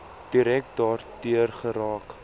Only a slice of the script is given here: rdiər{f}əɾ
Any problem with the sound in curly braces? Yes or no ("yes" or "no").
yes